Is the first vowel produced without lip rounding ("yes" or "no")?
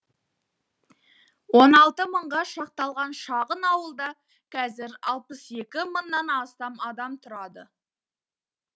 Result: no